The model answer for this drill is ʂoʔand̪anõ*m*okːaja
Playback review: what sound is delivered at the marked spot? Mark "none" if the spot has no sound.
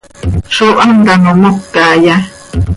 m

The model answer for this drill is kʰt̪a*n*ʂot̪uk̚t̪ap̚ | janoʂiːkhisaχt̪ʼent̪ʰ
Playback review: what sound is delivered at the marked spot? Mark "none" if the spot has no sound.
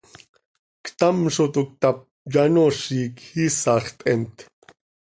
m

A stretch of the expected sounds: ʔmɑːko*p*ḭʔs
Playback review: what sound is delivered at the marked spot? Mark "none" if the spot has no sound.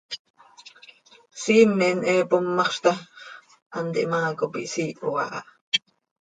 p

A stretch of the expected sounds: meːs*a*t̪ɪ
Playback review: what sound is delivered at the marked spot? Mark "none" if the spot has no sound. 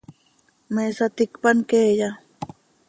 a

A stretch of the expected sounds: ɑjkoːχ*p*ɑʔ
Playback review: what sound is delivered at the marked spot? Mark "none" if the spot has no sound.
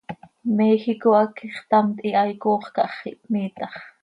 k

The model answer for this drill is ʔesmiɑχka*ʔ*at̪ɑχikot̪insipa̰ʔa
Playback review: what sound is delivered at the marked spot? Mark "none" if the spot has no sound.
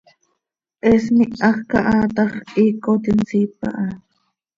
ʔ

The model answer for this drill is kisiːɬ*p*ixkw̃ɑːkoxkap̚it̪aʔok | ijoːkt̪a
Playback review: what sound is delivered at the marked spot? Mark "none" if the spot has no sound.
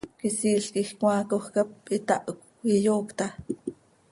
k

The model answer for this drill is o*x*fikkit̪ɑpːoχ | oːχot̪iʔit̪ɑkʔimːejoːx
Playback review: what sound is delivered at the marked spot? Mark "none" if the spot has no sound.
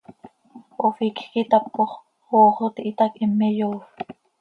none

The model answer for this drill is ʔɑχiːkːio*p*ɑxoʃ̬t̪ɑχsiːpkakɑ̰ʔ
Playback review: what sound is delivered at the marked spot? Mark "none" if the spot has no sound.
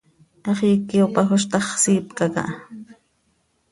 p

